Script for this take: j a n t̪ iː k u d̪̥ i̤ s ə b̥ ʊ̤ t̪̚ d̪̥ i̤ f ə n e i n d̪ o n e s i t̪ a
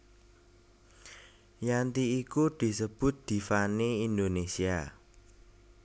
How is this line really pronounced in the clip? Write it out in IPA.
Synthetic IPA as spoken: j a n t̪ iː k u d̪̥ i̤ s ə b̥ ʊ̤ t̪̚ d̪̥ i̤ f a n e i n d̪ o n e s i a